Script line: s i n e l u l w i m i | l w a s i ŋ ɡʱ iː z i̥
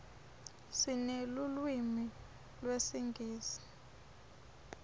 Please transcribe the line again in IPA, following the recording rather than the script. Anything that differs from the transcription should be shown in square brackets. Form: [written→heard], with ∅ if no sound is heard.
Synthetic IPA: s i n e l u l w i m i | l w [a→e] s i ŋ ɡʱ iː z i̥